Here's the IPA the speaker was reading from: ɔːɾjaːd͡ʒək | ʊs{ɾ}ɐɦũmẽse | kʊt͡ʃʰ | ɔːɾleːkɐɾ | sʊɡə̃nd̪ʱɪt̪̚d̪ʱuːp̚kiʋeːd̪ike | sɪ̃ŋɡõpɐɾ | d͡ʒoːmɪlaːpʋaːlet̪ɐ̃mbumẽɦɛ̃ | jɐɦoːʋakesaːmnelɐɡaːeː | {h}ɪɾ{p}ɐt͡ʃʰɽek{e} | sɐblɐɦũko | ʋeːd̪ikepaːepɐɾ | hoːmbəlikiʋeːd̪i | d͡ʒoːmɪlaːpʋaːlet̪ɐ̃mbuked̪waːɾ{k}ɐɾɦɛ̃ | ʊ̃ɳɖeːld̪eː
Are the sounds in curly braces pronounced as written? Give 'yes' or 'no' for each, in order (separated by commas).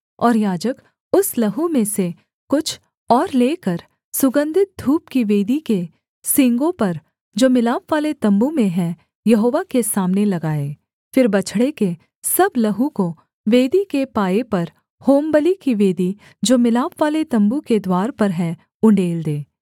no, no, no, yes, no